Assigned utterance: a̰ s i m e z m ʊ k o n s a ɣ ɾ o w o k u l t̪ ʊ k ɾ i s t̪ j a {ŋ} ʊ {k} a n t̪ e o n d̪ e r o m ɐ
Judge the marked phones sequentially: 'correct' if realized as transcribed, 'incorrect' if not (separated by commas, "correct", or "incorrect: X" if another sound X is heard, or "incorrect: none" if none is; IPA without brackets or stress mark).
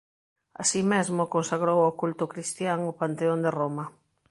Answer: correct, incorrect: p